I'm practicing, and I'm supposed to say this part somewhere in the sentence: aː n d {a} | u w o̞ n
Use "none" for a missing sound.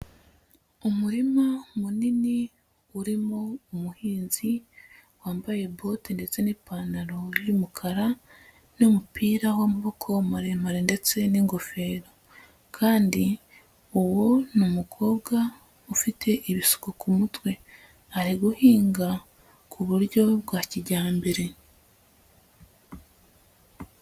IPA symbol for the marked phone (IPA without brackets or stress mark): i